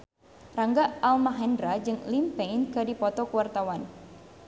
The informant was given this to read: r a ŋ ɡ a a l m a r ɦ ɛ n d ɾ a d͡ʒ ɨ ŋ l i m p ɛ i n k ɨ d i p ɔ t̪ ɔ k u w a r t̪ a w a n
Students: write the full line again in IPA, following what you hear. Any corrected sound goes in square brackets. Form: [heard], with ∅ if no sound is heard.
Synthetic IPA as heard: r a ŋ ɡ a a l m a [∅] ɦ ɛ n d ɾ a d͡ʒ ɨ ŋ l i m p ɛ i n k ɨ d i p ɔ t̪ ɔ k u w a r t̪ a w a n